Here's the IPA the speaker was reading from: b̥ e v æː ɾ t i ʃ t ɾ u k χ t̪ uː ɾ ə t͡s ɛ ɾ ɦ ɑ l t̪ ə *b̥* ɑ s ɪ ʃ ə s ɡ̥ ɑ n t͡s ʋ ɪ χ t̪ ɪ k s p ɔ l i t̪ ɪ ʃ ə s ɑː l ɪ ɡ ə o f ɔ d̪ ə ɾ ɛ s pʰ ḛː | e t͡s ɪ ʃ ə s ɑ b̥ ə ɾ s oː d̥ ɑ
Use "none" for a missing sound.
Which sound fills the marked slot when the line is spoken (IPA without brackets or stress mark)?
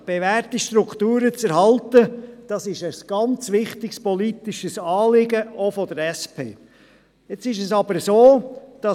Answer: d̥